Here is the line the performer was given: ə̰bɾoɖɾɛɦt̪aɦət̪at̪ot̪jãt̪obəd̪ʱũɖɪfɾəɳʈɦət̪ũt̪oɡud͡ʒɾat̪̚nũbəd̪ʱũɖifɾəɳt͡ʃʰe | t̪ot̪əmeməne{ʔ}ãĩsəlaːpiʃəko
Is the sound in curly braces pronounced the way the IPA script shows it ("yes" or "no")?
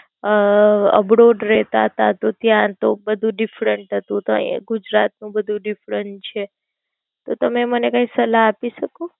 no